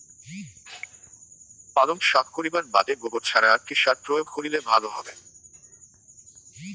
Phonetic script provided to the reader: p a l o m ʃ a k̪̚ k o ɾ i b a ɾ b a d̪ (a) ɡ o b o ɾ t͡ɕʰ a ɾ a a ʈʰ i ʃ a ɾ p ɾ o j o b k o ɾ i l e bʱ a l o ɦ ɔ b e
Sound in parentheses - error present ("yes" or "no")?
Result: yes